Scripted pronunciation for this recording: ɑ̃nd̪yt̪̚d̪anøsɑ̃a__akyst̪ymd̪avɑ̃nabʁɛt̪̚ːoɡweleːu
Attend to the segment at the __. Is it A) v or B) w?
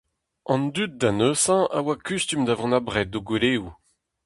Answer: B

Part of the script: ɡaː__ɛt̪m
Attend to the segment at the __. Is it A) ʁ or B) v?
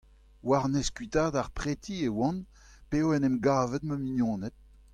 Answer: B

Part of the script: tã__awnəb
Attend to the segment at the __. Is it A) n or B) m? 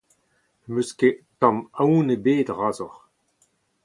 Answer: B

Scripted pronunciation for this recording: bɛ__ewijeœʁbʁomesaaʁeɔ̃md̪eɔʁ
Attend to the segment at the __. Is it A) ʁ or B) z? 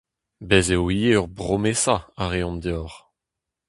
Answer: B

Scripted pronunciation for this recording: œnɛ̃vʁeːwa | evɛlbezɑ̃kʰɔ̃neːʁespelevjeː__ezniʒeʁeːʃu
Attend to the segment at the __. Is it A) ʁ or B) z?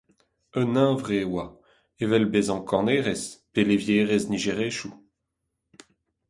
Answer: A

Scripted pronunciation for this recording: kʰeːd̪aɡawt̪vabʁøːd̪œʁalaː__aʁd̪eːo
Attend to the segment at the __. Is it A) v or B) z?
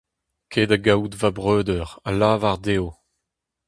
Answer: A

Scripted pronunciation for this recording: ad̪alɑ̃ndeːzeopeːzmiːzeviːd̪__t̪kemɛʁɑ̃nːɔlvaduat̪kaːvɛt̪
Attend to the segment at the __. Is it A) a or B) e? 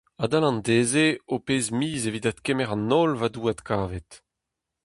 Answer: A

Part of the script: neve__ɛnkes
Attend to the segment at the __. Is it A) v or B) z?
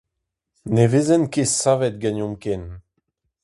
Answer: B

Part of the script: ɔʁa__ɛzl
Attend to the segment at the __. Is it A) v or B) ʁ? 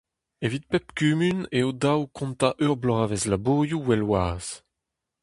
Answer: A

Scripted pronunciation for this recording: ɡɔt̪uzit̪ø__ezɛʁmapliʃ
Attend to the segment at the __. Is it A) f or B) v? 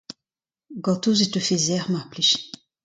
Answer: A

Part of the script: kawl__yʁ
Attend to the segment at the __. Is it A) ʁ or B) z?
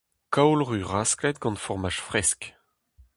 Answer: A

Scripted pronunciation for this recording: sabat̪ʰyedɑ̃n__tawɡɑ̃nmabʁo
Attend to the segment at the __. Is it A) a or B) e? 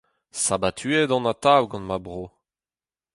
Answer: A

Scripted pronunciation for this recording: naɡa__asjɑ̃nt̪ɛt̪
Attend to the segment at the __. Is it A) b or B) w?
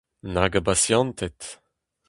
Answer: A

